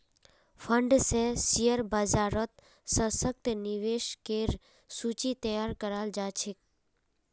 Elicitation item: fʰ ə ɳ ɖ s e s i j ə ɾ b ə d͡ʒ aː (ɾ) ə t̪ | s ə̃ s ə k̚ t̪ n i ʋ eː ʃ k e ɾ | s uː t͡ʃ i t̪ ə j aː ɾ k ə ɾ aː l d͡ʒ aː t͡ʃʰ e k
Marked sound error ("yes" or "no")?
no